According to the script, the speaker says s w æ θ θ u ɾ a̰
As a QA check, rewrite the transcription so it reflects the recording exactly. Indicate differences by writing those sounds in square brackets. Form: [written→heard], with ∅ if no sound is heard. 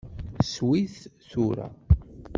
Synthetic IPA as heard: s w [æ→i] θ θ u ɾ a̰